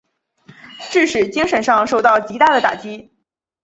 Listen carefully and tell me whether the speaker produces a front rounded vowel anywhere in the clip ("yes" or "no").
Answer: no